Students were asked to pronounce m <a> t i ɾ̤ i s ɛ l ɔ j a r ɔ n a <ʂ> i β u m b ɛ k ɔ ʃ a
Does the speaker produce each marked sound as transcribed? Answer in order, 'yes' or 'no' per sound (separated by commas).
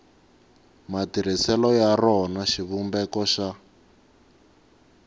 yes, no